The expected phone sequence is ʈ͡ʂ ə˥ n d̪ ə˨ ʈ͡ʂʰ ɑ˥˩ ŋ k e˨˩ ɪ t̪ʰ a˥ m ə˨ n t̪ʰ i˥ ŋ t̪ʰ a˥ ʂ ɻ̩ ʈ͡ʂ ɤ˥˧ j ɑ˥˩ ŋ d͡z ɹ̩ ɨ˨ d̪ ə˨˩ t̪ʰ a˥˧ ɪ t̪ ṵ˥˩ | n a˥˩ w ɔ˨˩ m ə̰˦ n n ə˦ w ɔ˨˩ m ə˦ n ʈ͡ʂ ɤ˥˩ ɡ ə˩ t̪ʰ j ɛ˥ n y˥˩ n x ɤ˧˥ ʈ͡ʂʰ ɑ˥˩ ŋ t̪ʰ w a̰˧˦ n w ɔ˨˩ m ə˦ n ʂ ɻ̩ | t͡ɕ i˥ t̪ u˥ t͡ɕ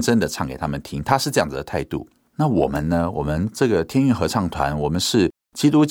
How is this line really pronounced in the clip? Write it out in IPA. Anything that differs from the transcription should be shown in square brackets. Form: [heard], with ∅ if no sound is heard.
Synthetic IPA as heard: ʈ͡ʂ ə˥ n d̪ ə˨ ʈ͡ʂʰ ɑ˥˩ ŋ k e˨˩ ɪ t̪ʰ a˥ m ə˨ n t̪ʰ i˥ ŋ t̪ʰ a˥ ʂ ɻ̩ ʈ͡ʂ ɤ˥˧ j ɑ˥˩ ŋ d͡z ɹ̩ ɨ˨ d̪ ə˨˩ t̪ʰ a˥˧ ɪ t̪ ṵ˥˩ | n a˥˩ w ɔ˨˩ m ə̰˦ n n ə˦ w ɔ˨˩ m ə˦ n ʈ͡ʂ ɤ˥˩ ɡ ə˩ t̪ʰ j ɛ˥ n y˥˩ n x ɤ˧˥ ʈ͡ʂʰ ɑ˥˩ ŋ t̪ʰ w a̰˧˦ n w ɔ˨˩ m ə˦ n ʂ ɻ̩ | t͡ɕ i˥ t̪ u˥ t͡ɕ